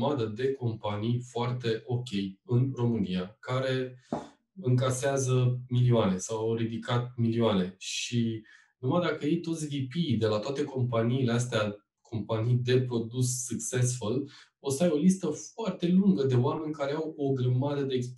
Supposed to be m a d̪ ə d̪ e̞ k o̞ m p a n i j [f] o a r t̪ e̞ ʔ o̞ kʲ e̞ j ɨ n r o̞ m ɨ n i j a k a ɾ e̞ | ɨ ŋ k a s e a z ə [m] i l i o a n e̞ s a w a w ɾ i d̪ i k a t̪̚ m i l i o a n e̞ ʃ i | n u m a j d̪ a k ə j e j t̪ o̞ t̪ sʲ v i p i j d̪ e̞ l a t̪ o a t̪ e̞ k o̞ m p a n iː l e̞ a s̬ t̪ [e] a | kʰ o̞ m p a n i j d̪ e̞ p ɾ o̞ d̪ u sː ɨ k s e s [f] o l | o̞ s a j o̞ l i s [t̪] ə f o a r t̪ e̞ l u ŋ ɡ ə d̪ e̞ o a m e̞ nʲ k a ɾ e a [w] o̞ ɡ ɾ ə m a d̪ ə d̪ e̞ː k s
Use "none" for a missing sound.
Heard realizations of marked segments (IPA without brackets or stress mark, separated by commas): f, m, e, f, t̪, w